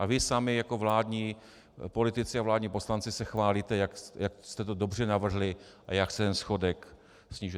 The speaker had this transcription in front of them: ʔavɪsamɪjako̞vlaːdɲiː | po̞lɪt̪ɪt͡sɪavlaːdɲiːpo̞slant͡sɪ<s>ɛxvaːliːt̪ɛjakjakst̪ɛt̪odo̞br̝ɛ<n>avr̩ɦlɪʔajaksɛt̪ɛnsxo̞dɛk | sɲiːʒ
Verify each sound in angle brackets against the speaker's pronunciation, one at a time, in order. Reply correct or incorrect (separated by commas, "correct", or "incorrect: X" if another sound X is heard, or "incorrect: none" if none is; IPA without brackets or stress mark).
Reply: correct, correct